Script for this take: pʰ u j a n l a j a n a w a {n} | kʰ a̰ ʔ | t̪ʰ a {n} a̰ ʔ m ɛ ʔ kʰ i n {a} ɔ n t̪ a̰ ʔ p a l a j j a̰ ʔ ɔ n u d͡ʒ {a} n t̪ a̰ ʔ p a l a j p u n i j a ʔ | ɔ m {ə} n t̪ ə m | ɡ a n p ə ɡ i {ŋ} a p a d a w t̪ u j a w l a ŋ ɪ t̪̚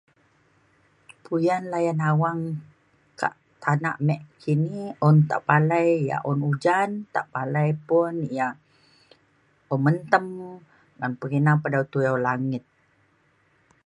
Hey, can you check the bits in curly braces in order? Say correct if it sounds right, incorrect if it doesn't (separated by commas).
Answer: incorrect, correct, incorrect, correct, correct, incorrect